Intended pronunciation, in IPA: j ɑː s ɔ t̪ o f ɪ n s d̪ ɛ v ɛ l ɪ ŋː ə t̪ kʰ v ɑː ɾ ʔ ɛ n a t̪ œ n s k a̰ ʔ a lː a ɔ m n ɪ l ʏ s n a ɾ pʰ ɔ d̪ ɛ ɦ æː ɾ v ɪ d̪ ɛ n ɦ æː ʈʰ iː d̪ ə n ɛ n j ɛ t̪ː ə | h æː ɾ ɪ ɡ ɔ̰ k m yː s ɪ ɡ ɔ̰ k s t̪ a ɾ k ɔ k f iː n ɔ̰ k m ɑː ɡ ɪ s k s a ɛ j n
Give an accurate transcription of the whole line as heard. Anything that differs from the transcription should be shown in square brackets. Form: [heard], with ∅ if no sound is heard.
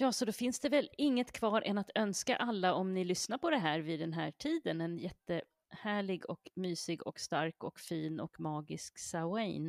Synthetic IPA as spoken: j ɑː s ɔ [d̪] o f ɪ n s d̪ ɛ v ɛ l ɪ ŋː ə t̪ kʰ v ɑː ɾ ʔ ɛ n a t̪ œ n s k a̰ ʔ a lː a ɔ m n ɪ l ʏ s n a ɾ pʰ ɔ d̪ ɛ ɦ æː ɾ v ɪ d̪ ɛ n ɦ æː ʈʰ iː d̪ ə n ɛ n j ɛ t̪ː ə | h æː [ɭ] ɪ ɡ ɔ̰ k m yː s ɪ ɡ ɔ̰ k s t̪ a ɾ k ɔ k f iː n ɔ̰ k m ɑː ɡ ɪ s k s a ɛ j n